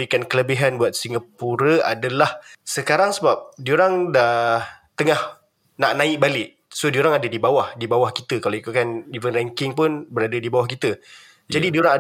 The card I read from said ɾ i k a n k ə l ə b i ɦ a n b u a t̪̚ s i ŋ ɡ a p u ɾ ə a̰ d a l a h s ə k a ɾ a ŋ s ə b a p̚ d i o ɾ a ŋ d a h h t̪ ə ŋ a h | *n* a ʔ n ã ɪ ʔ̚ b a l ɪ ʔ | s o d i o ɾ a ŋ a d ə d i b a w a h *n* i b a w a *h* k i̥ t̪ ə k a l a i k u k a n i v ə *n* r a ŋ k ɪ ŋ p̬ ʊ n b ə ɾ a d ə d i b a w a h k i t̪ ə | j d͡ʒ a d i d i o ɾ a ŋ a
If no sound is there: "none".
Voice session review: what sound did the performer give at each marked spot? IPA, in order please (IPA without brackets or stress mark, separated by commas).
n, d, h, n